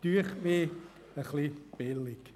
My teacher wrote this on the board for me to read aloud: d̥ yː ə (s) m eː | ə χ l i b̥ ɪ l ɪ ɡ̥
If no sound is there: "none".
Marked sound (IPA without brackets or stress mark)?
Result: χ